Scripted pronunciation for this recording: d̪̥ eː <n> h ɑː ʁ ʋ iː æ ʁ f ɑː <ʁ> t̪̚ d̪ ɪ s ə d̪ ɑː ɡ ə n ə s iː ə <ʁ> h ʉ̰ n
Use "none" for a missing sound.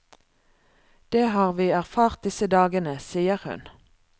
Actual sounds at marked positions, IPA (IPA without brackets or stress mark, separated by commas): none, ʁ, ʁ